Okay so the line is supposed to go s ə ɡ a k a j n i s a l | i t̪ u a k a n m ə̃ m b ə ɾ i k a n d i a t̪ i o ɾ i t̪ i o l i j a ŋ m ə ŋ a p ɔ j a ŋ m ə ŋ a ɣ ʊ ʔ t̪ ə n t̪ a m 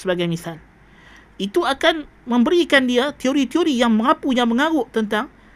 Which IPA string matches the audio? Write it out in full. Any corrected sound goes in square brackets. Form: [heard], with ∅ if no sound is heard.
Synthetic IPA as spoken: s ə [b] a [ɡ] a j [m] i s a l | i t̪ u a k a n m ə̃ m b ə ɾ i k a n d i a t̪ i o ɾ i t̪ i o [ɾ] i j a ŋ m ə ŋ a p [u] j a ŋ m ə ŋ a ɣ ʊ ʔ t̪ ə n t̪ a [ŋ]